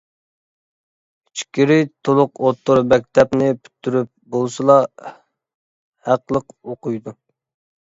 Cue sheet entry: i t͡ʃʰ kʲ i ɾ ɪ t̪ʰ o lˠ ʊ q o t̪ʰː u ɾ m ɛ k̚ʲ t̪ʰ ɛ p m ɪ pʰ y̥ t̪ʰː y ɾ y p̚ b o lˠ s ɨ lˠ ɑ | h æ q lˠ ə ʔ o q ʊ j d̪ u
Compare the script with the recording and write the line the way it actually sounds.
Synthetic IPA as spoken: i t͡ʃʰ kʲ i ɾ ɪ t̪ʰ o lˠ ʊ q o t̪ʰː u ɾ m ɛ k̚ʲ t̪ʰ ɛ p n ɪ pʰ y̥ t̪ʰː y ɾ y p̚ b o lˠ s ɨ lˠ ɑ | h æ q lˠ ə q o q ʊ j d̪ u